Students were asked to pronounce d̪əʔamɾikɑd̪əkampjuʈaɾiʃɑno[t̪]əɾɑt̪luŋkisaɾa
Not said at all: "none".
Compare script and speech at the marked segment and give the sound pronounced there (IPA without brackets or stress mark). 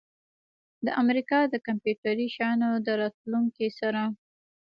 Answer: d̪